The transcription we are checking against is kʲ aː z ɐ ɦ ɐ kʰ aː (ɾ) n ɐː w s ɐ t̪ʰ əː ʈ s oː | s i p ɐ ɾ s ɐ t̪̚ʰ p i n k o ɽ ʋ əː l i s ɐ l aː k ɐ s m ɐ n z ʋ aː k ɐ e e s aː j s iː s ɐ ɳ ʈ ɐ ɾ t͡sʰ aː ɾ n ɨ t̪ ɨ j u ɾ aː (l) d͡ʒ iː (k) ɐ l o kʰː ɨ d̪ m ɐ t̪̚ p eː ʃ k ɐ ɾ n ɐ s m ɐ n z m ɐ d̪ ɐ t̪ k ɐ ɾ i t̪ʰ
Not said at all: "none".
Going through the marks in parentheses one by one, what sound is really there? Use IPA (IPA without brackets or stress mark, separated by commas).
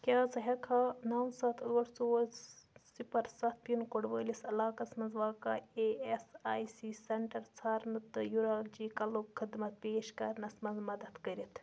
none, l, k